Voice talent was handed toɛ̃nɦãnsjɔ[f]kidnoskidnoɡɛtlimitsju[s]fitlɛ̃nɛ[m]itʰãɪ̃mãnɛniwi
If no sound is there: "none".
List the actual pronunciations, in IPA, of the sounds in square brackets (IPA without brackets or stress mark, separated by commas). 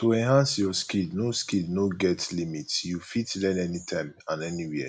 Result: s, none, n